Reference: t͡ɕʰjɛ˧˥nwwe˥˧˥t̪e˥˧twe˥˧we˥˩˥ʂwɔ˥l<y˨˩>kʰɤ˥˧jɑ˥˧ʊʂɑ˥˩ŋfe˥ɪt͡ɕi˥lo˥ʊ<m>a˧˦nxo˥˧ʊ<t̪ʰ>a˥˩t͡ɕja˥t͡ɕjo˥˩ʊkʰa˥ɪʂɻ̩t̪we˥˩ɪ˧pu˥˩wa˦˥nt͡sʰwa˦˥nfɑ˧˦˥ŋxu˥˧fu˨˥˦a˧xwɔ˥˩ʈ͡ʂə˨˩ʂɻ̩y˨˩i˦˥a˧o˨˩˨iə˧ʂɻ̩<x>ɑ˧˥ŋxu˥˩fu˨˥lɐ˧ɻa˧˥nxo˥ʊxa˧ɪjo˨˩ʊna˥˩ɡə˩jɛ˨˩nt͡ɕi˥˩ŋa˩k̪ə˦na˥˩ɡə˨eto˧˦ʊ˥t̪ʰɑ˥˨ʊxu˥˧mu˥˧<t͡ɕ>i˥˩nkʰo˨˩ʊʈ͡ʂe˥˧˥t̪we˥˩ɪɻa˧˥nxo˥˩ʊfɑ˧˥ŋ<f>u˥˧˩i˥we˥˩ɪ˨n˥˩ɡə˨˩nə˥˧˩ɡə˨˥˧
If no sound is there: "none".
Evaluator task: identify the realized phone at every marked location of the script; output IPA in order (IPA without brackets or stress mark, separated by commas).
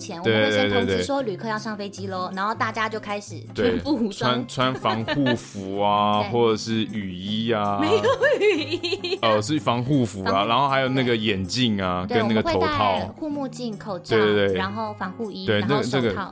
y˨˩, n, t̪, f, t͡ɕ, x